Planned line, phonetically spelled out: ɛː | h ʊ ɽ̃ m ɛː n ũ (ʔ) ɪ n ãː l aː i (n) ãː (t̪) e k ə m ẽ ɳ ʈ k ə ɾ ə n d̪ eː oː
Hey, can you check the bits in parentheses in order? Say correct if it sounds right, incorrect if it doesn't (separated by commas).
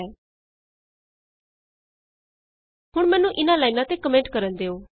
correct, correct, correct